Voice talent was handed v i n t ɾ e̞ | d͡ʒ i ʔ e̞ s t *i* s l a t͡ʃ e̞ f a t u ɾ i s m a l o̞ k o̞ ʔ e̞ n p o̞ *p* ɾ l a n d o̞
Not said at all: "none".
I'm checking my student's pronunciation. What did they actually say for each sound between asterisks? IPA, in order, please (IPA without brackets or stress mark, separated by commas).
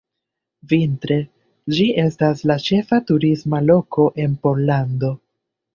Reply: a, none